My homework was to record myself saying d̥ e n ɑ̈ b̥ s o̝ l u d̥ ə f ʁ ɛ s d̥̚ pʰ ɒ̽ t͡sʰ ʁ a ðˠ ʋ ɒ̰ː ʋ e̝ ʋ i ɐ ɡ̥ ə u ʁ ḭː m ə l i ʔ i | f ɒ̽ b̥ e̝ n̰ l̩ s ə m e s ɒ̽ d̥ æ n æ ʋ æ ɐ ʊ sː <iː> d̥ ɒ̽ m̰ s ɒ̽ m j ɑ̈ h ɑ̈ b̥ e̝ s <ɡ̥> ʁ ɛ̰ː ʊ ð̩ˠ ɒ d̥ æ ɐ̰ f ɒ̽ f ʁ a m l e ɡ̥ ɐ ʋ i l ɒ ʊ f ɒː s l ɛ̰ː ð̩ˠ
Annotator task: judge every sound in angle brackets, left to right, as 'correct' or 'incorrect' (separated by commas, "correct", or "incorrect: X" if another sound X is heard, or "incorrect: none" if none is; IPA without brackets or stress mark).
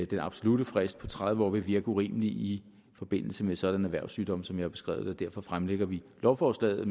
incorrect: yː, correct